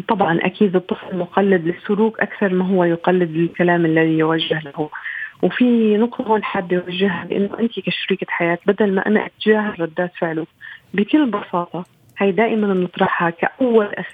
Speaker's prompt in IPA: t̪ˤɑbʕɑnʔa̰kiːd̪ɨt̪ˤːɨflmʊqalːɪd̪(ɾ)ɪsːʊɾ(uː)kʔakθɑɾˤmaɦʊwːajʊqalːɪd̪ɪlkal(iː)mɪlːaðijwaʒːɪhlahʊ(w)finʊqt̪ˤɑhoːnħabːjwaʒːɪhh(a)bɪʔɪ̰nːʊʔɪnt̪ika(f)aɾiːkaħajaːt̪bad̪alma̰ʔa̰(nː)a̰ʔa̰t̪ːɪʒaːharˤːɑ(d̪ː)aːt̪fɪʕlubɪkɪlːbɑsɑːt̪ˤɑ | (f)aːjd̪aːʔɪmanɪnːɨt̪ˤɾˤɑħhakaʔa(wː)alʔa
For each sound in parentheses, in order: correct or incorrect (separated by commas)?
incorrect, correct, incorrect, correct, correct, incorrect, incorrect, correct, incorrect, correct